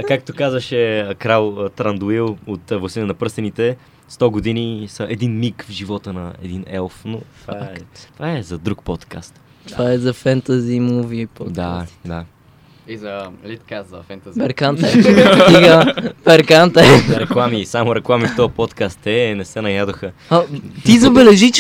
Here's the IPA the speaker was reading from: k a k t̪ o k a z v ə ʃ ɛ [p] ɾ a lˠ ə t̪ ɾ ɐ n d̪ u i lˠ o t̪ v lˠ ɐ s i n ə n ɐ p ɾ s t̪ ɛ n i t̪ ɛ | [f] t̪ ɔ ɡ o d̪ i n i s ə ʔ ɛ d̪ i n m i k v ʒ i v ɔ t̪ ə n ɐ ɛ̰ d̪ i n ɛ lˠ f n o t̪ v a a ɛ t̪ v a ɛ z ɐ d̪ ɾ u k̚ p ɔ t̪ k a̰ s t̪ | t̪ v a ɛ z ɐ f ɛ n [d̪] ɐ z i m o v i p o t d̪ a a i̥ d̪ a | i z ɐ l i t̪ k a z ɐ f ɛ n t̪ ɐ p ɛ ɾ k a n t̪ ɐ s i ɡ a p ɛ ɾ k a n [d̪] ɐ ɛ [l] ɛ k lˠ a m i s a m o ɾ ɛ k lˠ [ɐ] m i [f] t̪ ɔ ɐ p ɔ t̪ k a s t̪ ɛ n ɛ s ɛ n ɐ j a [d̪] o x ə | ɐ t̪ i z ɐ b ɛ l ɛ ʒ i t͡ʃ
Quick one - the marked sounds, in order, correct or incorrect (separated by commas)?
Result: incorrect, incorrect, incorrect, incorrect, incorrect, incorrect, correct, correct